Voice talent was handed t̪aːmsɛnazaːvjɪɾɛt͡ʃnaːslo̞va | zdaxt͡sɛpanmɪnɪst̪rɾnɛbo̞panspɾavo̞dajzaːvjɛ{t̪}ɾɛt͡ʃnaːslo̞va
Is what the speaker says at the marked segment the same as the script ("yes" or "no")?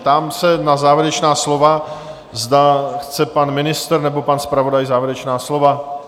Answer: no